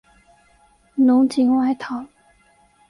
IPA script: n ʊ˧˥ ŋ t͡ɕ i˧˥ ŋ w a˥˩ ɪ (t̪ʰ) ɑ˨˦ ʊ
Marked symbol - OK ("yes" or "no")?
yes